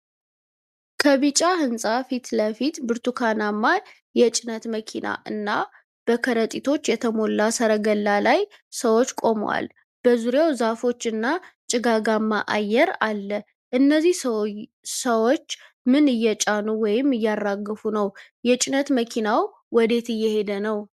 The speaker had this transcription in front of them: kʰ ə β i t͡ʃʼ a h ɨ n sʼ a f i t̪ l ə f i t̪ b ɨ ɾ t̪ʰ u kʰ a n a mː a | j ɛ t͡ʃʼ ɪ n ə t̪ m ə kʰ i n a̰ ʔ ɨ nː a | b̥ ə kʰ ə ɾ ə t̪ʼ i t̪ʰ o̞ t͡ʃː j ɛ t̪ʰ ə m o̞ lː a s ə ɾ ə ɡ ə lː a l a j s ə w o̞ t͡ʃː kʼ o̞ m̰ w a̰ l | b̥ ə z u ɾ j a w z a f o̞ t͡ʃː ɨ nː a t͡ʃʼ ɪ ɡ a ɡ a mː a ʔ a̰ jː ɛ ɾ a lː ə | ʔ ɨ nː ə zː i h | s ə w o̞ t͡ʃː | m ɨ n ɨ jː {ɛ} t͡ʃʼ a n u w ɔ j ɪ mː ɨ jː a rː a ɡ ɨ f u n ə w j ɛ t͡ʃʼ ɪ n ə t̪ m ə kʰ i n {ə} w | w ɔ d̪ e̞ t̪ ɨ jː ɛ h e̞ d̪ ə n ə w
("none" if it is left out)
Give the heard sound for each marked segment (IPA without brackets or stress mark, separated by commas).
ɛ, a